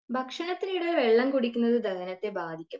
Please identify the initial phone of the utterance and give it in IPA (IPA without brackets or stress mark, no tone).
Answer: bʱ